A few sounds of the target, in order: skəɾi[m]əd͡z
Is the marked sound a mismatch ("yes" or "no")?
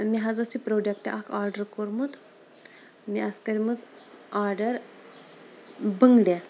no